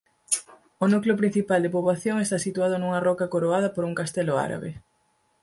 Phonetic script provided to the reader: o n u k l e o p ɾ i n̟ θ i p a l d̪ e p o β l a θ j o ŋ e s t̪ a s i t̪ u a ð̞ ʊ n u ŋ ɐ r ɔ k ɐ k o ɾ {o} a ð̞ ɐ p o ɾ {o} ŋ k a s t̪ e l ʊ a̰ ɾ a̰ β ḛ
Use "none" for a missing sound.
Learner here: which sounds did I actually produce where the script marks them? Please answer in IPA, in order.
o, u

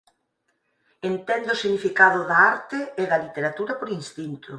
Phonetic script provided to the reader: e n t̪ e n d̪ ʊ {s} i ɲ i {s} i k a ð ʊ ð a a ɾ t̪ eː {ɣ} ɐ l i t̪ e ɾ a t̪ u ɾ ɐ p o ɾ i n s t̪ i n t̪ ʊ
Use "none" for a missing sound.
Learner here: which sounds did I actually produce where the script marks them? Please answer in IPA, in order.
s, f, ð

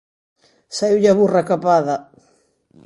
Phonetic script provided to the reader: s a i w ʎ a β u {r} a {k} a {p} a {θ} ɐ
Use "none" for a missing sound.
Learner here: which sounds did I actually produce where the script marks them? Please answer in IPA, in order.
r, k, p, ð

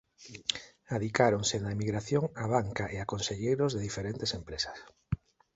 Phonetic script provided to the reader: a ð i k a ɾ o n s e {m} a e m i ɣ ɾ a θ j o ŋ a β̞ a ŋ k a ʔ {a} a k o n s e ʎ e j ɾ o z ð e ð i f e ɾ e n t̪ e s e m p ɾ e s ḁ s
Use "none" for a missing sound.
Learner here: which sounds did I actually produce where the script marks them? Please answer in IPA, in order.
n, e

